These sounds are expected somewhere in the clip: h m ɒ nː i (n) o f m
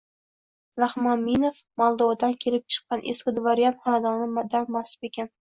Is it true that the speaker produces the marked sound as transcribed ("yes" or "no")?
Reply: yes